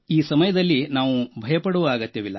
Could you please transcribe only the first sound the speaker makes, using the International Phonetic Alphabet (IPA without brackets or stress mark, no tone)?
iː